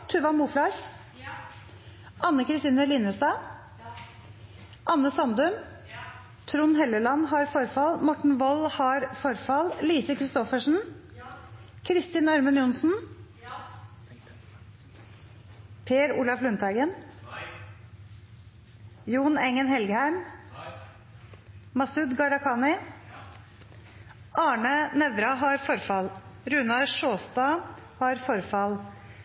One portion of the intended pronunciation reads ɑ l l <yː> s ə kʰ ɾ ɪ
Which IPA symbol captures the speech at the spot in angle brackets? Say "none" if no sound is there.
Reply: iː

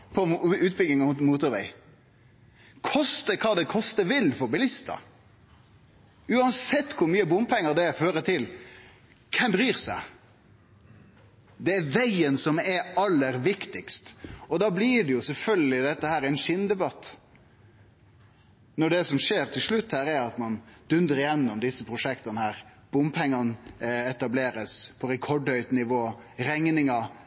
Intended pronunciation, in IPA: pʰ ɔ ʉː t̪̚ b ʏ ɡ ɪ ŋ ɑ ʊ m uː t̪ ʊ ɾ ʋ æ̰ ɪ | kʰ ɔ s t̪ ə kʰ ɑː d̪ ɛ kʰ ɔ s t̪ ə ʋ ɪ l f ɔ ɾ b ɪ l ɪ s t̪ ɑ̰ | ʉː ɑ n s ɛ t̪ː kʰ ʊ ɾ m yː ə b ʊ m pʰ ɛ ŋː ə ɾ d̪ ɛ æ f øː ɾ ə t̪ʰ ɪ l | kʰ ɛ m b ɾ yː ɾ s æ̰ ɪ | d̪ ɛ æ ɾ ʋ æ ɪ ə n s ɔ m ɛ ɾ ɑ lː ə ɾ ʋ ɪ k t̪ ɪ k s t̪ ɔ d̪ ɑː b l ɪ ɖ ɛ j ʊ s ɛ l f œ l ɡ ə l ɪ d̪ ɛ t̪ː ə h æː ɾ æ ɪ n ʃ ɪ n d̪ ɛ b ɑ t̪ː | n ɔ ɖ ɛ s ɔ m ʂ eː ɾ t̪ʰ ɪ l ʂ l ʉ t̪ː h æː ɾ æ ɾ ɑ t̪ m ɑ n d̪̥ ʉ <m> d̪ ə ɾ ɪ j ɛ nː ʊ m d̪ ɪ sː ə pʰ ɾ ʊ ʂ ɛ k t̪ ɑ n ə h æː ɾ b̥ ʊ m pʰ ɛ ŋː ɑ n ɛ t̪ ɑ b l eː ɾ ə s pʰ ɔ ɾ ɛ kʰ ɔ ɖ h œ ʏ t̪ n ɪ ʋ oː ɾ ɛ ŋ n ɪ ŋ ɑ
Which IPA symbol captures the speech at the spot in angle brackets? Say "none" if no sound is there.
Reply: n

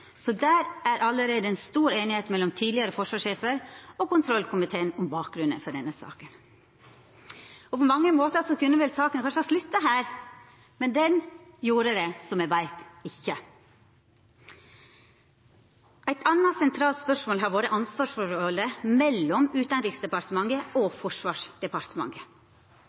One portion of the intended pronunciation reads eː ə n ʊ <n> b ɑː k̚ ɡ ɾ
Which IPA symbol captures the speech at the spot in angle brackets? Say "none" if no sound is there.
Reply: m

